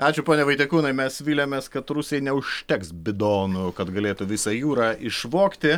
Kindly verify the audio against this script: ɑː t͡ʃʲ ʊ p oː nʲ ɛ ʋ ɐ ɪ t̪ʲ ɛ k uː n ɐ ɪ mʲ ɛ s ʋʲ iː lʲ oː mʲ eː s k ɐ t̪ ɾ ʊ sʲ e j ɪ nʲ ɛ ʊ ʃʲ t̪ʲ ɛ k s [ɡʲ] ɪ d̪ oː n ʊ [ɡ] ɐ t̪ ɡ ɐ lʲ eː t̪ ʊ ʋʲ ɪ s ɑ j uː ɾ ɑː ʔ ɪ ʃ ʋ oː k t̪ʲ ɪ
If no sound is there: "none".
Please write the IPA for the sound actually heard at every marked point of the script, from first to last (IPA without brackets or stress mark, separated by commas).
bʲ, k